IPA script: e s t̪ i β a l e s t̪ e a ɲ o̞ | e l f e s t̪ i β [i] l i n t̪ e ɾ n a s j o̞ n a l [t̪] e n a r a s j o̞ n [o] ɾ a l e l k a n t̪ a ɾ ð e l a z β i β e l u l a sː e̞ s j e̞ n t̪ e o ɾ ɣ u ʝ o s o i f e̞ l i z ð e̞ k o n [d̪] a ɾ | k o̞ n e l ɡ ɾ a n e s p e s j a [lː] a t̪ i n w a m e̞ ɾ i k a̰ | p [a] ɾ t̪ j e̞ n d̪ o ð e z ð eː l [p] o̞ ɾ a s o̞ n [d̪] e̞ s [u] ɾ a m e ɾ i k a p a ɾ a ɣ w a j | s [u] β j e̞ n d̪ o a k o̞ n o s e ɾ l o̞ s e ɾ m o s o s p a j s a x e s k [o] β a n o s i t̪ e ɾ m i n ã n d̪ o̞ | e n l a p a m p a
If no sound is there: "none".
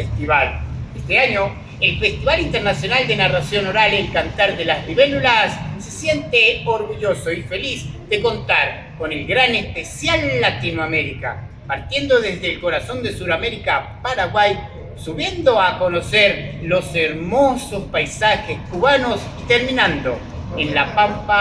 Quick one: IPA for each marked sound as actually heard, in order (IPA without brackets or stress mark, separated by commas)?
a, d̪, o, t̪, lː, a, k, d̪, u, u, u